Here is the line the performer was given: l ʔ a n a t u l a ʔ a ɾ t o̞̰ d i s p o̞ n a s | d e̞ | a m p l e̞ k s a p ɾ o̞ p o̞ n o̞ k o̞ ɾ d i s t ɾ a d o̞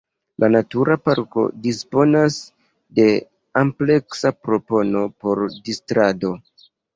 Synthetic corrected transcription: l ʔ a n a t u ɾ a p a ɾ k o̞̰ d i s p o̞ n a s | d e̞ | a m p l e̞ k s a p ɾ o̞ p o̞ n o̞ p o̞ ɾ d i s t ɾ a d o̞